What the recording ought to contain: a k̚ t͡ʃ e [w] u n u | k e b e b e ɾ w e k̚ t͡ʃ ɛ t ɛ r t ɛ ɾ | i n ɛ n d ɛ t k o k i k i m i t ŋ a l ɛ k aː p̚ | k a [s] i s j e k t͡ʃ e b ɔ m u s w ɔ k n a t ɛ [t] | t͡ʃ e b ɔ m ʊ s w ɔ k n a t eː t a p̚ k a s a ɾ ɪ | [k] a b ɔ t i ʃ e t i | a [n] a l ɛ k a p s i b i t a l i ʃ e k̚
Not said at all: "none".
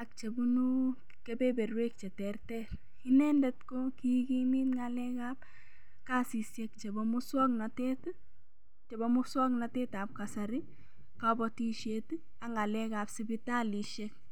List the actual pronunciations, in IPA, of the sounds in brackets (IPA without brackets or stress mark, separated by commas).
b, s, t, k, ŋ